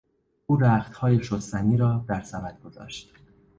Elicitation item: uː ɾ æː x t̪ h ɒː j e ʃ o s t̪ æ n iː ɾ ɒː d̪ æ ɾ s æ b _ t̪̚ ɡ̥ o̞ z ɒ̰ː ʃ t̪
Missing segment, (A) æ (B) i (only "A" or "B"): A